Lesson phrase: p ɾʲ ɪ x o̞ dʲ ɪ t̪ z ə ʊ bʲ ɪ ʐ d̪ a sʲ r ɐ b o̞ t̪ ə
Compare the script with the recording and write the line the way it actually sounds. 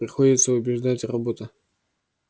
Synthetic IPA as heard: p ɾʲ ɪ x o̞ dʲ ɪ t̪ s ə ʊ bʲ ɪ ʐ d̪ a tʲ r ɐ b o̞ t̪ ə

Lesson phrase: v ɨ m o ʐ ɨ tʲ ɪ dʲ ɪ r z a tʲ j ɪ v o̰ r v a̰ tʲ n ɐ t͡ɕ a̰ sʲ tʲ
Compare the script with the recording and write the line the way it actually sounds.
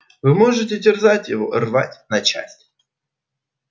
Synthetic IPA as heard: v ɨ m o ʐ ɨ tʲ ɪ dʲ ɪ r z a tʲ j ɪ v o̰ r v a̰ tʲ n ɐ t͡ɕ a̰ sʲ tʲ

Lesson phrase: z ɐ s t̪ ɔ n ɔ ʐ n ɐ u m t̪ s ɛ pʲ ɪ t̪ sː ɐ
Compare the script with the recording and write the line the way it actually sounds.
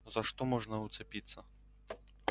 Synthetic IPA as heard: z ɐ ʂ t̪ ɔ m ɔ ʐ n ɐ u t̪ s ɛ pʲ i t̪ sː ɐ

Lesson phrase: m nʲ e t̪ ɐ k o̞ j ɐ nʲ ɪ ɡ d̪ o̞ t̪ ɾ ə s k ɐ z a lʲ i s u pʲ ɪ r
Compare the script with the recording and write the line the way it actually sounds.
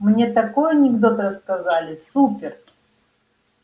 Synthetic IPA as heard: m nʲ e t̪ ɐ k o̞ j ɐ nʲ ɪ ɡ d̪ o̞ t̪ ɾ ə s k ɐ z a lʲ ɪ s u pʲ ɪ r

